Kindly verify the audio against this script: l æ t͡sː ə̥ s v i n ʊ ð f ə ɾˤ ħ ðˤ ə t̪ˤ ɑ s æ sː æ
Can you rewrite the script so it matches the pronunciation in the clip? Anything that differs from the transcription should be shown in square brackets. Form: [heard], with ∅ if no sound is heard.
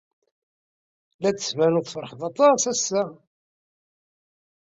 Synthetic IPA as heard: l æ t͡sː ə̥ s v [æ] n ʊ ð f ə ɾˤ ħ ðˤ [ɑ] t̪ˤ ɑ s æ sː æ